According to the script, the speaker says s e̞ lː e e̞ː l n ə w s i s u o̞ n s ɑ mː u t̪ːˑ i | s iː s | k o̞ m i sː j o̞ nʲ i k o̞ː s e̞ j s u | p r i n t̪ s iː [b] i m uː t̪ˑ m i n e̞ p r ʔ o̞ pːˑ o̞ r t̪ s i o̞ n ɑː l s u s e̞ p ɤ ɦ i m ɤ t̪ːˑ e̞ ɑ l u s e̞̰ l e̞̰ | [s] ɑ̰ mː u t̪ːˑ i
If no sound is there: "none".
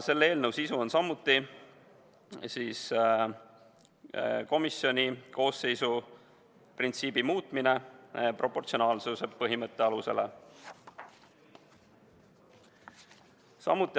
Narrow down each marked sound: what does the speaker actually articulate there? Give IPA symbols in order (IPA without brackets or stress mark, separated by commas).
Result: b, s